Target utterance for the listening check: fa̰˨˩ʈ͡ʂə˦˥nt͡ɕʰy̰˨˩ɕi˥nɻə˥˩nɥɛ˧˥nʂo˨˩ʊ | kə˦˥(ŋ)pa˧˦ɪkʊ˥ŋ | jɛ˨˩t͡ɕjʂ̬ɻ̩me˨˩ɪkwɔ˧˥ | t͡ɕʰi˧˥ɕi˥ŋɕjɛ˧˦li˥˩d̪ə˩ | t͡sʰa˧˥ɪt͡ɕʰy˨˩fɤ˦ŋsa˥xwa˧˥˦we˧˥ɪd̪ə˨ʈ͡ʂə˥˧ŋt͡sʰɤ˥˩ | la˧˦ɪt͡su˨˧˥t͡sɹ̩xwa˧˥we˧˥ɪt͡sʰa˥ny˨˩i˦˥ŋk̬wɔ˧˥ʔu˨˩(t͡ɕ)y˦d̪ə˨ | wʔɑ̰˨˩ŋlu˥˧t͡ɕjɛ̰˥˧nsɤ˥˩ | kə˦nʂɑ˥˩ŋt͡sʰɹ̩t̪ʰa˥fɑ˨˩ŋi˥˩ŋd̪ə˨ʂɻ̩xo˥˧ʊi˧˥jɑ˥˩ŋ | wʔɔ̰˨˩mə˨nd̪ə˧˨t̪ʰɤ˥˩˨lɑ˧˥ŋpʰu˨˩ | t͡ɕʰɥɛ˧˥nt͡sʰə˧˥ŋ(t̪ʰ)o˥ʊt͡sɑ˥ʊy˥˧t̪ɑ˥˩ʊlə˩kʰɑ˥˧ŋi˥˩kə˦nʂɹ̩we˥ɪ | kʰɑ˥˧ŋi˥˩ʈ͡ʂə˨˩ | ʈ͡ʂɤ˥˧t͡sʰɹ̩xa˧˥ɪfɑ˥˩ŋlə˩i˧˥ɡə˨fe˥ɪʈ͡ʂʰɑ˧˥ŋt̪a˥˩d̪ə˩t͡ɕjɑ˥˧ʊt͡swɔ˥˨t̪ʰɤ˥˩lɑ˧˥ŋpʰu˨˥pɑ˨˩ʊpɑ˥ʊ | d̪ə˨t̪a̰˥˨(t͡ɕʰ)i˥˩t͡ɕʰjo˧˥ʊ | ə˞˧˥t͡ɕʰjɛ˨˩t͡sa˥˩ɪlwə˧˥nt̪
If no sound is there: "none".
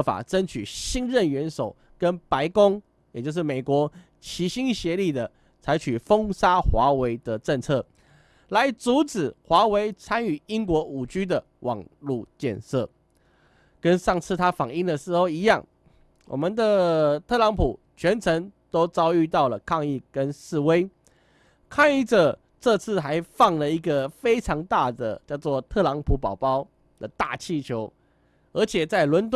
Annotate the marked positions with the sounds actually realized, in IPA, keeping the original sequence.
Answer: n, t͡ɕ, t̪, t͡ɕʰ

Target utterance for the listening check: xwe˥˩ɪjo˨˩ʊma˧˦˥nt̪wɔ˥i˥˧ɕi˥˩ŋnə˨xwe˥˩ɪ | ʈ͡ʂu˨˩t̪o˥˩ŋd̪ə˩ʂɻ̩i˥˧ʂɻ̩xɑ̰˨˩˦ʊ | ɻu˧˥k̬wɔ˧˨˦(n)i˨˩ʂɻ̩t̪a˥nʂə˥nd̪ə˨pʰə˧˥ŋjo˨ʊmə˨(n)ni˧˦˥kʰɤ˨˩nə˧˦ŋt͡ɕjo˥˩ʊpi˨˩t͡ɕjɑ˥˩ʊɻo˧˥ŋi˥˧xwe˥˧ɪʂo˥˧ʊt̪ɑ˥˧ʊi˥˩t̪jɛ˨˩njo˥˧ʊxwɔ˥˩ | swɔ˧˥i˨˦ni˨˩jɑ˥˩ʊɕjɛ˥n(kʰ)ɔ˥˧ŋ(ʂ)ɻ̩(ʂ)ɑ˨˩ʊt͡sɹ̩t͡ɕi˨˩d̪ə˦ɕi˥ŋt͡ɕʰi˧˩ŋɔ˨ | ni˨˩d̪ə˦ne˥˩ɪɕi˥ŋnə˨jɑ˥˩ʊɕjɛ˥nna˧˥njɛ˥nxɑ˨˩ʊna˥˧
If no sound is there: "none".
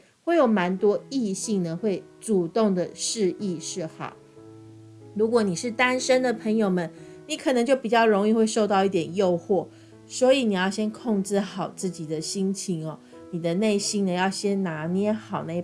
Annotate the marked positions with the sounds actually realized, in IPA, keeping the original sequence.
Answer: n, n, kʰ, ʈ͡ʂ, x

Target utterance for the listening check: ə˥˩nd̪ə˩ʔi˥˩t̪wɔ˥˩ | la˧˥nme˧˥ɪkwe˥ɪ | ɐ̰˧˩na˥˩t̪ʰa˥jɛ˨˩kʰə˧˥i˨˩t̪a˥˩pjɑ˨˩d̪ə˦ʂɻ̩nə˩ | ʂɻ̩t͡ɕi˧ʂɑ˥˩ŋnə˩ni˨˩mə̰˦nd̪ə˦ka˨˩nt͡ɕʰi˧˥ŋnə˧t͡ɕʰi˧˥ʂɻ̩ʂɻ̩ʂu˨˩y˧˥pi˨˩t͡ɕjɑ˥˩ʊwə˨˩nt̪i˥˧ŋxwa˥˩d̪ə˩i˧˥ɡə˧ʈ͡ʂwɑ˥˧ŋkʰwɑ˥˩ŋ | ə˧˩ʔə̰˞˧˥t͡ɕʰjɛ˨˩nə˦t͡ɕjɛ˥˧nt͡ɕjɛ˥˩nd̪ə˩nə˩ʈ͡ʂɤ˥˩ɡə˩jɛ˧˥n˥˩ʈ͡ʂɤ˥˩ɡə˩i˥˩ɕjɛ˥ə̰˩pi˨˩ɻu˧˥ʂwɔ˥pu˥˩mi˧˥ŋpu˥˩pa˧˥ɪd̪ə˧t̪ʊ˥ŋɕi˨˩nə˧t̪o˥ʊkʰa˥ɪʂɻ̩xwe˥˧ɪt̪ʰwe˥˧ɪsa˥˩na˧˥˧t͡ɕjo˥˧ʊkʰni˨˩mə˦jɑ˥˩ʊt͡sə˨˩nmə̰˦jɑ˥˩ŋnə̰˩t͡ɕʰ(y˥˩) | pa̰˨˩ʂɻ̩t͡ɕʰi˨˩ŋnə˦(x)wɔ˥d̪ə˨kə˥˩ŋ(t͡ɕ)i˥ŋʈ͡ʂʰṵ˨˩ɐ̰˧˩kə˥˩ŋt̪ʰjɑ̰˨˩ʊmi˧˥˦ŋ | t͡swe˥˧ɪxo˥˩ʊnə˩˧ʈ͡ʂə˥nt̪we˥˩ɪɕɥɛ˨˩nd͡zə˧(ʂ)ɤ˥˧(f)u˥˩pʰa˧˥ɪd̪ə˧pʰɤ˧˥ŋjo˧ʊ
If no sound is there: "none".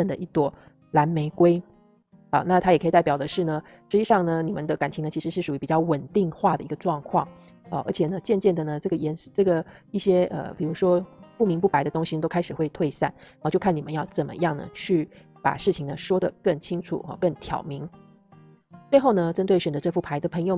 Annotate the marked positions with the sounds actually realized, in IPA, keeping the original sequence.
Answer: y˥˩, ʂ, t͡ɕʰ, ʈ͡ʂ, f

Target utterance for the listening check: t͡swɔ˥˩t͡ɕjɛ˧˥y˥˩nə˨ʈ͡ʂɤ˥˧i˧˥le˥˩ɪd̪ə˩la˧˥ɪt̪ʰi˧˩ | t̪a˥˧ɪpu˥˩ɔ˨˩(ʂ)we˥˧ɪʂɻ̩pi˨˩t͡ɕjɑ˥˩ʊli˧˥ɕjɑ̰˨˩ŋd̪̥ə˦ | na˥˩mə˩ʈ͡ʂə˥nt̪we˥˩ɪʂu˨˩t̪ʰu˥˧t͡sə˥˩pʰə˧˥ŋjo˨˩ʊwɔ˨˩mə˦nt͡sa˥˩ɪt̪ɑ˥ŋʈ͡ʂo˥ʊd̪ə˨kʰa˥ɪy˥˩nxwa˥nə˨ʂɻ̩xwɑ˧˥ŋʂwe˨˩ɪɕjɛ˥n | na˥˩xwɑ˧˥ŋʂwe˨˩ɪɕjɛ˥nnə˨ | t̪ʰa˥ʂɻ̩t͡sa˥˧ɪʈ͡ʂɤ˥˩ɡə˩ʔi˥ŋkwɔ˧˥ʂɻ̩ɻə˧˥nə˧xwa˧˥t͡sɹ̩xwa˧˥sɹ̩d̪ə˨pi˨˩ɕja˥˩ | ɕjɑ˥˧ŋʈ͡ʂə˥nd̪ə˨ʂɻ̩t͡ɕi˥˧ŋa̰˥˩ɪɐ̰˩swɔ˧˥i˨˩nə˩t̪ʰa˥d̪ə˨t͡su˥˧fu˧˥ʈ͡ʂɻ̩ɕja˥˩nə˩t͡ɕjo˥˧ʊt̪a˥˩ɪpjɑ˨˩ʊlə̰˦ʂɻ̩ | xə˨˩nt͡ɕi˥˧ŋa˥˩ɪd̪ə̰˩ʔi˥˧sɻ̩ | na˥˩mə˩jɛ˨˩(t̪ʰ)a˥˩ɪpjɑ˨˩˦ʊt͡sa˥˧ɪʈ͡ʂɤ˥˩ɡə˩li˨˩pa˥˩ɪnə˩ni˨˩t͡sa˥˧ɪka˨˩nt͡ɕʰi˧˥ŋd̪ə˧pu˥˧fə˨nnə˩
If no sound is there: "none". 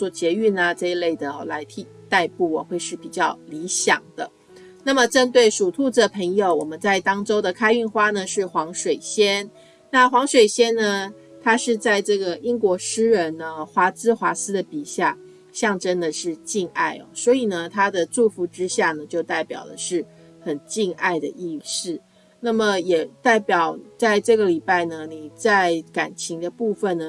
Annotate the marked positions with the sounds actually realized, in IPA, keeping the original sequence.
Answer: x, t̪

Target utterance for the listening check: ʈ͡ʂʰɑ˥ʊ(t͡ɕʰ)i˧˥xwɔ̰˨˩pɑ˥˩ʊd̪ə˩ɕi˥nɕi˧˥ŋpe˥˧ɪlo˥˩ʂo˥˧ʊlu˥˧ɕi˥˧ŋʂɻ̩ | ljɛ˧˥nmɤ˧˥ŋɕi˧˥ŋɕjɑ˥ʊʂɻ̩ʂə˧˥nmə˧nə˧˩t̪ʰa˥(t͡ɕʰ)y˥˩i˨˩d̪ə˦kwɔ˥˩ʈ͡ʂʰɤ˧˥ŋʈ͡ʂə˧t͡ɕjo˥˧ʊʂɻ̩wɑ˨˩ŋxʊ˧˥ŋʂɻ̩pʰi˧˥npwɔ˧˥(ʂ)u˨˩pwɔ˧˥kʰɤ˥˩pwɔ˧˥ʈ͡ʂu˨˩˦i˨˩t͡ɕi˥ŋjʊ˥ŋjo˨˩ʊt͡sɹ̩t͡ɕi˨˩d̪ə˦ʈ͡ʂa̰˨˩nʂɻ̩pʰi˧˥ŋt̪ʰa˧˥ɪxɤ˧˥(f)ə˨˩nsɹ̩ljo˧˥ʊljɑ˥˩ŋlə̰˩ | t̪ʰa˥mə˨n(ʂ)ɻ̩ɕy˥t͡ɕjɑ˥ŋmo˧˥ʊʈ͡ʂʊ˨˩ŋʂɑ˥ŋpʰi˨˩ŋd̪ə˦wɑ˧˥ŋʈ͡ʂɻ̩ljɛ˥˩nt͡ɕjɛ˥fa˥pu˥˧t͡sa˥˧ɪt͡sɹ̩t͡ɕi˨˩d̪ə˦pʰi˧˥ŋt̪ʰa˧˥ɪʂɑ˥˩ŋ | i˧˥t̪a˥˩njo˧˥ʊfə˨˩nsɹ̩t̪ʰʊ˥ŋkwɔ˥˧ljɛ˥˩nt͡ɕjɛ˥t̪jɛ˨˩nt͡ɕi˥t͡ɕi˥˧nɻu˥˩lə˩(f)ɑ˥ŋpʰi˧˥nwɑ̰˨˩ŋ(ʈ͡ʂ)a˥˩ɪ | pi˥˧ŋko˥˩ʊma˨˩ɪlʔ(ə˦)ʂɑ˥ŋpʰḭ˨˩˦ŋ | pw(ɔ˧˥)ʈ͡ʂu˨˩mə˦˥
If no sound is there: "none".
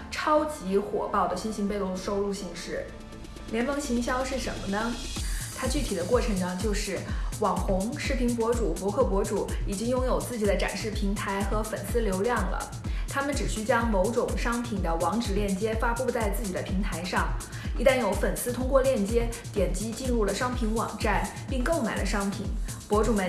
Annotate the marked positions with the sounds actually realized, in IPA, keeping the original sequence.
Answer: t͡ɕ, t͡ɕ, ʈ͡ʂ, f, ʈ͡ʂ, ʂ, ʈ͡ʂ, ə˦, ɔ˧˥

